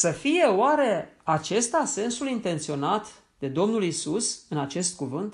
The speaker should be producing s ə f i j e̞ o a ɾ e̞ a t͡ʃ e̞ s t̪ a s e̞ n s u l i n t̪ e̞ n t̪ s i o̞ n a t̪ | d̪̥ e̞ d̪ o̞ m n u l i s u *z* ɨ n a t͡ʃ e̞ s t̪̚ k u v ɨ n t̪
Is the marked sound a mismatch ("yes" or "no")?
yes